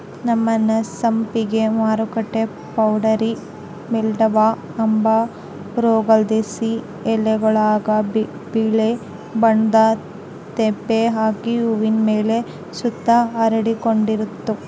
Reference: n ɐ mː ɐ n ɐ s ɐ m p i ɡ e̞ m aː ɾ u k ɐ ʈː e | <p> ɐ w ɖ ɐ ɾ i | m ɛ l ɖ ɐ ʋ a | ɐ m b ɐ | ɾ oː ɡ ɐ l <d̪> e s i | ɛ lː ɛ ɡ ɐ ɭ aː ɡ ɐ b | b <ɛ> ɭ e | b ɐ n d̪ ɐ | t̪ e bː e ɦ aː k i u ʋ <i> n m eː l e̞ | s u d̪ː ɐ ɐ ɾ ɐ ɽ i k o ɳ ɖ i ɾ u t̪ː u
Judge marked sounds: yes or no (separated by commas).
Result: yes, yes, no, yes